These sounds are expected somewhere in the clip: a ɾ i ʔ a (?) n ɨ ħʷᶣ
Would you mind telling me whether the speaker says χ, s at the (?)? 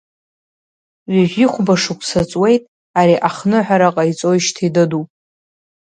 χ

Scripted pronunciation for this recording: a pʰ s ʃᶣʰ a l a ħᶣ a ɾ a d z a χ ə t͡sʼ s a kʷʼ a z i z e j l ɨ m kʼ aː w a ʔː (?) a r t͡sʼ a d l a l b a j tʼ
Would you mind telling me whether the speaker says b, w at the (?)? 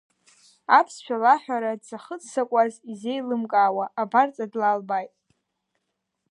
b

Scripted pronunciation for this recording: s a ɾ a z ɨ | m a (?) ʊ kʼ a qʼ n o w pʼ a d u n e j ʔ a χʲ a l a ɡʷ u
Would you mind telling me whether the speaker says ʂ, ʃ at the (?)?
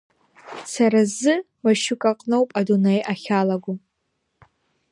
ʃ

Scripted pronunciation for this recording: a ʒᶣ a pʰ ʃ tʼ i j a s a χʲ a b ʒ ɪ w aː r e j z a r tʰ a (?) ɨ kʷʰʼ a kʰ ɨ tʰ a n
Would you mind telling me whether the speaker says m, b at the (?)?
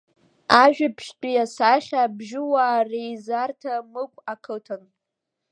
m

